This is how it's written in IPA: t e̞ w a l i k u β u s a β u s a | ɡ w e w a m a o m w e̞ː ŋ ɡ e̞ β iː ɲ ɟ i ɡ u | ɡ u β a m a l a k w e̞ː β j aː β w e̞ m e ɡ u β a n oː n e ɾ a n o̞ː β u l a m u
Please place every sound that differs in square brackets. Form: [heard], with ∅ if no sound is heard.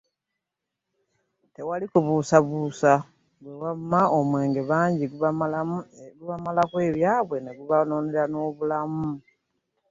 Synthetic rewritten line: t e̞ w a l i k u β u s a β u s a | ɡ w e w a m a o m w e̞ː ŋ ɡ e̞ β [aː] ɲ ɟ i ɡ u | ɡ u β a m a l a k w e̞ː β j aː β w e̞ [n] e ɡ u β a n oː n e ɾ a n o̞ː β u l a m u